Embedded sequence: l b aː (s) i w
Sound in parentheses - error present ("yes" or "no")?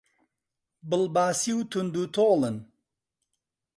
no